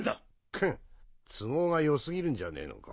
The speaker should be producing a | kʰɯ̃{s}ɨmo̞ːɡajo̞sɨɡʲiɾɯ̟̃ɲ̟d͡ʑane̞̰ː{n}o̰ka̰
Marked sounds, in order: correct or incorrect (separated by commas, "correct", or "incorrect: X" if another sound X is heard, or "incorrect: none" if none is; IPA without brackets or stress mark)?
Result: incorrect: t͡s, correct